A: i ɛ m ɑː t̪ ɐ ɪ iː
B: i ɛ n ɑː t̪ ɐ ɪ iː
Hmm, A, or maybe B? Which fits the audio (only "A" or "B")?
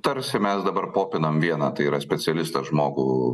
B